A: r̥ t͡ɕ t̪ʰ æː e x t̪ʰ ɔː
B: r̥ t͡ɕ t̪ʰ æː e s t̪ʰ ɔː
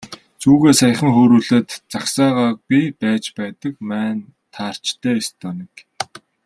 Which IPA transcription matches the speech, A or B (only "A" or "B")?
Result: B